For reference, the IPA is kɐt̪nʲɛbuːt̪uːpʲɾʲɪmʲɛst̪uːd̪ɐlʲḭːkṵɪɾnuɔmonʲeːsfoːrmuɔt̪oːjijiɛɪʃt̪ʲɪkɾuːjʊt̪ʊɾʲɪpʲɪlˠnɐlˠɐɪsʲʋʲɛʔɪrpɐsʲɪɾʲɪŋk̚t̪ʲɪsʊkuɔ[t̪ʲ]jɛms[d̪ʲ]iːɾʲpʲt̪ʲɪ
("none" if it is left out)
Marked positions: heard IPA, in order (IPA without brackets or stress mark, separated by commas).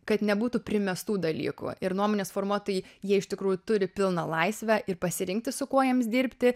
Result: none, d̪ʲ